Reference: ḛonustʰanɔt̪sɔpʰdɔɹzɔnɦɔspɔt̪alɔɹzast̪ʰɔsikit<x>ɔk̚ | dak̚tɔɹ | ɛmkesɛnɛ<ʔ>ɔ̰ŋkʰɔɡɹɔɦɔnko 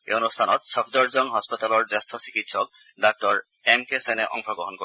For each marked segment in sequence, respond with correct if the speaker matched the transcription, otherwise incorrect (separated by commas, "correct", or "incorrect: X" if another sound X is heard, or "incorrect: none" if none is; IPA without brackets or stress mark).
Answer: incorrect: s, correct